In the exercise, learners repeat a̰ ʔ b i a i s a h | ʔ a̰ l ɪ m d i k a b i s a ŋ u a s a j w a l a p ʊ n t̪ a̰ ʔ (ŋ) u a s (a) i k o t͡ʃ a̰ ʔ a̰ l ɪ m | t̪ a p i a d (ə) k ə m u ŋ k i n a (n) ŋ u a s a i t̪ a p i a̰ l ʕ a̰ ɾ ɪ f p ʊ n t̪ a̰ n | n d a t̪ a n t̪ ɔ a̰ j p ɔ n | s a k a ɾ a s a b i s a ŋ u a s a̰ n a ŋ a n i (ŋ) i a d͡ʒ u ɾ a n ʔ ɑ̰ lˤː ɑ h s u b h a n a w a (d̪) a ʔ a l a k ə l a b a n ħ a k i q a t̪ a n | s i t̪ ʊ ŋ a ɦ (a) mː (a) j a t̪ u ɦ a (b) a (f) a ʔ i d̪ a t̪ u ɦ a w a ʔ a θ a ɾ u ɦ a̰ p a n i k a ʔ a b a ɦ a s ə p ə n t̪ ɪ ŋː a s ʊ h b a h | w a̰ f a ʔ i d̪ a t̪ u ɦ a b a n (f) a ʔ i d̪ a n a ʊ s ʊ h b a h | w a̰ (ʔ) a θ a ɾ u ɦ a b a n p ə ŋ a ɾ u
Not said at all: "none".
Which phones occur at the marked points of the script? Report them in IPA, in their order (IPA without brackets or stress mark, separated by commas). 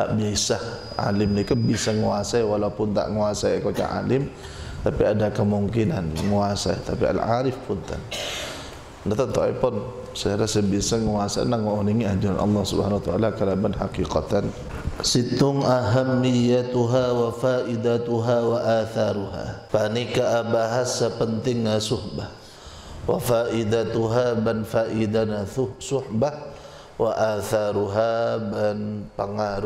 ŋ, a, a, n, ŋ, t̪, a, i, w, f, f, ʔ